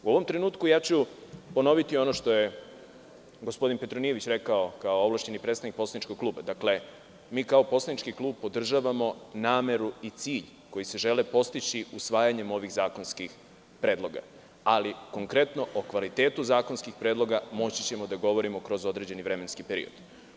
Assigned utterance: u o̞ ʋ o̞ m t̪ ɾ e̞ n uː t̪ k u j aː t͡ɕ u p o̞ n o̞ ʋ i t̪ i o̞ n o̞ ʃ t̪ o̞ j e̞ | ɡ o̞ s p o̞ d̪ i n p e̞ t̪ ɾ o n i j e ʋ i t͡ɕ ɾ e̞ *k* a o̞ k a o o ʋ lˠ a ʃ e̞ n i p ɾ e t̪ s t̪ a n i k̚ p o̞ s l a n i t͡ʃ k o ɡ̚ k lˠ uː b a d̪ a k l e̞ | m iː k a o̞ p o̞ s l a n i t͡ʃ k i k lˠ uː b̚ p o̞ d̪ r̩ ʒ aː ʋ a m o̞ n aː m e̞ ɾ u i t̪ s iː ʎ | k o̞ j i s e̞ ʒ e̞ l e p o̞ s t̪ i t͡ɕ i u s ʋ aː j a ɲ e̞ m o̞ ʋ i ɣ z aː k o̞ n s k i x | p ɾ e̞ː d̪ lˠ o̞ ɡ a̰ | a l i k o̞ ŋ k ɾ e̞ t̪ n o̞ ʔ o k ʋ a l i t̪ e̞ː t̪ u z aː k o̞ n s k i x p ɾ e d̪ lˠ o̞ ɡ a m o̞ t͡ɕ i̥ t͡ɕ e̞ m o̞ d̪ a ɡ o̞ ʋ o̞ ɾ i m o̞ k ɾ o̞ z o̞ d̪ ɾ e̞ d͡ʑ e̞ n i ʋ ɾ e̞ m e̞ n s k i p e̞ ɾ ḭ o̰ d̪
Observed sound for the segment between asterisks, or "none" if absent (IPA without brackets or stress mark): k